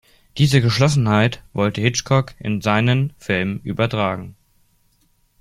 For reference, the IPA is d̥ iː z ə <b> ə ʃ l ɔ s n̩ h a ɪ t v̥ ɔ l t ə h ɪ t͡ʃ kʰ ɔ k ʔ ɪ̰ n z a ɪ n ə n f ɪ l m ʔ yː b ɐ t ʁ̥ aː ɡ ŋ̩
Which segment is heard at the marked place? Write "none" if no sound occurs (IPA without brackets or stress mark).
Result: ɡ